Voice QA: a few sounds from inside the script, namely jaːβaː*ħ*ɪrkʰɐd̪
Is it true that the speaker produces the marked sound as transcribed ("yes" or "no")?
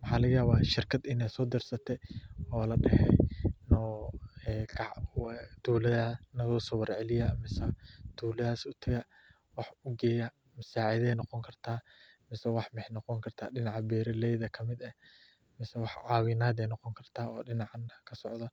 no